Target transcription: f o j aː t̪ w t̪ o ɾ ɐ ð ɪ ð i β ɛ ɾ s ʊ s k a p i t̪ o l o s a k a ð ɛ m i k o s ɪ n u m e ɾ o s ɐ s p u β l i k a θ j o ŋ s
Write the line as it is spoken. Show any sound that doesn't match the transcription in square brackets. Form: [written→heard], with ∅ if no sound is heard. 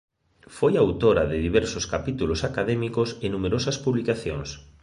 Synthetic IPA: f o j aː [t̪→∅] w t̪ o ɾ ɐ ð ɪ ð i β ɛ ɾ s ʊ s k a p i t̪ [o→u] l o s a k a ð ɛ m i k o s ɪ n u m e ɾ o s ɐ s p u β l i k a θ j o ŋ s

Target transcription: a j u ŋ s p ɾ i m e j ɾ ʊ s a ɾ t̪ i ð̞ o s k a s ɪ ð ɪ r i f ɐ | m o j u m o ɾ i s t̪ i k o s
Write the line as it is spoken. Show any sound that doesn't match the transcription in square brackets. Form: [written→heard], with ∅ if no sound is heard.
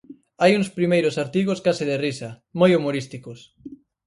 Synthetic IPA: a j u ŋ s p ɾ i m e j ɾ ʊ s a ɾ t̪ i [ð̞→ɣ̞] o s k a s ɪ ð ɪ r i [f→s] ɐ | m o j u m o ɾ i s t̪ i k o s

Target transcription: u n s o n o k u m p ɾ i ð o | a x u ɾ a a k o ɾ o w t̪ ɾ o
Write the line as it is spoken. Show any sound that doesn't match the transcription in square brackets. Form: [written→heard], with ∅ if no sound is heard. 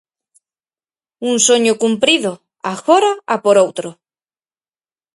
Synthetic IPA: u n s o [n→ɲ] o k u m p ɾ i ð o | a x [u→o] ɾ a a [k→p] o ɾ o w t̪ ɾ o

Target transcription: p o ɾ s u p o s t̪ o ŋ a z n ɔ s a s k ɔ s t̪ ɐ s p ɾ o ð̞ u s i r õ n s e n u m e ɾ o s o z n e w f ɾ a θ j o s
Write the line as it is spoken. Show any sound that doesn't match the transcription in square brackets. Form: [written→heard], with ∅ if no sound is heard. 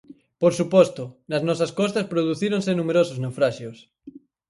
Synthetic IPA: p o ɾ s u p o s t̪ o [ŋ→n] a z n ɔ s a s k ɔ s t̪ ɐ s p ɾ o ð̞ u [s→θ] i [r→ɾ] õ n s e n u m e ɾ o s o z n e w f ɾ a [θ→ʃ] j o s

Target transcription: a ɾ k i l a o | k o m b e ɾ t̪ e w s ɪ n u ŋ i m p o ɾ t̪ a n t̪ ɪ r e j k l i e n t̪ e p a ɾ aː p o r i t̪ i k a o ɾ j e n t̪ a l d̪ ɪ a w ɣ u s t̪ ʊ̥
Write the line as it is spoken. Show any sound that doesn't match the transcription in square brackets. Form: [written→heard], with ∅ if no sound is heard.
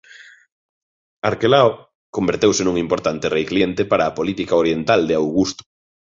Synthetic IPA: a ɾ k [i→e] l a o | k o m b e ɾ t̪ e w s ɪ n u ŋ i m p o ɾ t̪ a n t̪ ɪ r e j k l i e n t̪ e p a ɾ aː p o [r→l] i t̪ i k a o ɾ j e n t̪ a l d̪ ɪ a w ɣ u s t̪ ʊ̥

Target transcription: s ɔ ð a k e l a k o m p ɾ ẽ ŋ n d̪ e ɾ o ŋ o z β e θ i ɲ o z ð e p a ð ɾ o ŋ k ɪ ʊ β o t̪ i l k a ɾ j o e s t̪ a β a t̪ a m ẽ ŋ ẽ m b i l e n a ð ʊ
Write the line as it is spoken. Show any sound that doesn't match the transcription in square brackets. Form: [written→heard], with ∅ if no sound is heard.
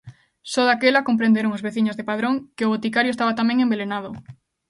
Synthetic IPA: s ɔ ð a k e l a k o m p ɾ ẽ [ŋ→∅] n d̪ e ɾ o ŋ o z β e θ i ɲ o z ð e p a ð ɾ o ŋ k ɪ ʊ β o t̪ i [l→∅] k a ɾ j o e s t̪ a β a t̪ a m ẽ ŋ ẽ m b [i→e] l e n a ð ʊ

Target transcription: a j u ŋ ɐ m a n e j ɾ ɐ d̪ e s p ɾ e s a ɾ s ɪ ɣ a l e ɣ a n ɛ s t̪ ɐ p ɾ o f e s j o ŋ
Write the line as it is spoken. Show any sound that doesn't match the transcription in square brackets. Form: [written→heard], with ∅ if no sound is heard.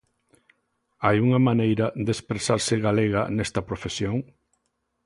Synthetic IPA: a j u ŋ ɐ m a n e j ɾ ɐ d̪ e s p ɾ e s a ɾ s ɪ ɣ a l e ɣ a n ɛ s t̪ ɐ p ɾ o f e s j o ŋ

